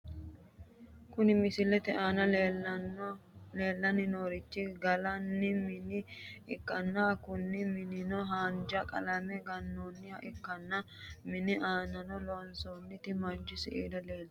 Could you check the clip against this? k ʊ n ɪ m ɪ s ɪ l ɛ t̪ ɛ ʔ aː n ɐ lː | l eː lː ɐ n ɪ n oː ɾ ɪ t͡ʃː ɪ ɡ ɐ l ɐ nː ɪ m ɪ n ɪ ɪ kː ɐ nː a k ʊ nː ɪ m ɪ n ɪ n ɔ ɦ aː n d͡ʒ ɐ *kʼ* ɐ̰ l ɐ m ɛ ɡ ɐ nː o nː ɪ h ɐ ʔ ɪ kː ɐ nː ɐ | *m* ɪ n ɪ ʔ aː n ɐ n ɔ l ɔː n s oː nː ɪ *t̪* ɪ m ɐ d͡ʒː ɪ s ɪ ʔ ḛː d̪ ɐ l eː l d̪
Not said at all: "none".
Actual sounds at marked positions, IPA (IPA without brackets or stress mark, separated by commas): kʼ, m, t̪